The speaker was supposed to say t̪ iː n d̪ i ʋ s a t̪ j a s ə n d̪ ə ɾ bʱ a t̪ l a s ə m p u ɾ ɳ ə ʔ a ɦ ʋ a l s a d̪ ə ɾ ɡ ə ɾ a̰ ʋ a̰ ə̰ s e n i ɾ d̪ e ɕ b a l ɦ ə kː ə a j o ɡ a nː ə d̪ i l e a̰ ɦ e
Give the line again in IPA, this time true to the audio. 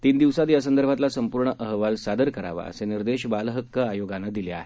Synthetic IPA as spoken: t̪ iː n d̪ i ʋ s a t̪ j a s ə n d̪ ə ɾ bʱ a t̪ l a s ə m p u ɾ ɳ ə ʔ ə ɦ ʋ a l s a d̪ ə ɾ k ə ɾ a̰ ʋ a̰ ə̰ s e n i ɾ d̪ e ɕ b a l ɦ ə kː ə a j o ɡ a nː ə d̪ i l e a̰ ɦ e